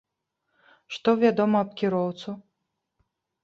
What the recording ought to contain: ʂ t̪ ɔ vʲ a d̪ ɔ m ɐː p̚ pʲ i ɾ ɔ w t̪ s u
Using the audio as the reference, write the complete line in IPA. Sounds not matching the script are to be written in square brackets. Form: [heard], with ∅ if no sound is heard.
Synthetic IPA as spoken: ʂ t̪ ɔ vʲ a d̪ ɔ m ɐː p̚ [kʲ] i ɾ ɔ w t̪ s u